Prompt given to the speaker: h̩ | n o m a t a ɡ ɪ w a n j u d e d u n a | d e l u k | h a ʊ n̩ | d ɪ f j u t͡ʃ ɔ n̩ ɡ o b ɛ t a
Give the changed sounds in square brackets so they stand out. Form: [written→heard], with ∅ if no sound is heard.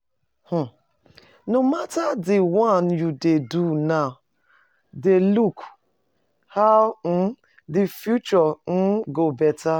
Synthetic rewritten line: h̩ | n o m a t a [ɡ→d] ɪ w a n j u d e d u n a | d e l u k | h a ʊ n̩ | d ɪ f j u t͡ʃ ɔ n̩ ɡ o b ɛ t a